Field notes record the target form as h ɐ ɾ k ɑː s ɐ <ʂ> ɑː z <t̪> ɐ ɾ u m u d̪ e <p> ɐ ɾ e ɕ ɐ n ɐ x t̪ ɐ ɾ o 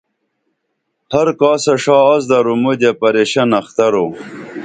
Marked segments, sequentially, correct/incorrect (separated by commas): correct, incorrect, correct